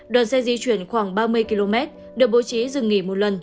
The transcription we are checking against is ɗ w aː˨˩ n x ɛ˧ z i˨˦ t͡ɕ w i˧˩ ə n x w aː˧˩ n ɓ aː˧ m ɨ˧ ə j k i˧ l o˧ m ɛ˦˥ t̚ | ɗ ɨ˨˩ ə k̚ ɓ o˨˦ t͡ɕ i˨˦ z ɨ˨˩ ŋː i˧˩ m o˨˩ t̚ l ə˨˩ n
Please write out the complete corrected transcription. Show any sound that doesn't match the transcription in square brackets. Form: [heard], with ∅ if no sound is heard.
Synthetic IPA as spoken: ɗ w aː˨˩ n [s] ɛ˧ z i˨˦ t͡ɕ w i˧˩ ə n x w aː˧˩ [ŋ] ɓ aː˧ m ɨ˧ ə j k i˧ l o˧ m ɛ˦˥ t̚ | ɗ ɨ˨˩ ə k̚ ɓ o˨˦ t͡ɕ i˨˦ z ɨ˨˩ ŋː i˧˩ m o˨˩ t̚ l ə˨˩ n